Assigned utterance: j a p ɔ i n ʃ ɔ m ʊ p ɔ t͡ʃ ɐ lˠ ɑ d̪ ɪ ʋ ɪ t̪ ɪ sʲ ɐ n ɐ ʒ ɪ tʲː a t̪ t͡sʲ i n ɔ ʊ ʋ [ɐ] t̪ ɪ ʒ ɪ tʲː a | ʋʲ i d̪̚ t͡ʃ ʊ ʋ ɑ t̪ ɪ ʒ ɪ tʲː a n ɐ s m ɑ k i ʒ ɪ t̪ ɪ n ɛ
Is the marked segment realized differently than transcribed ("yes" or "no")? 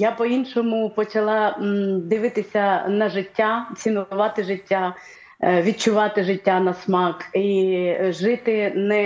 yes